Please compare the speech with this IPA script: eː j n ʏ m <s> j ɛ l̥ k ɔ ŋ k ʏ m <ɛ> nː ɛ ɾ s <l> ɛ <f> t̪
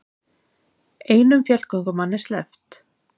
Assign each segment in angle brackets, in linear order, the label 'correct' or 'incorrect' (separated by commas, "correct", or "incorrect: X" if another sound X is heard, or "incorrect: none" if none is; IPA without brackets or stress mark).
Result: incorrect: f, incorrect: a, correct, correct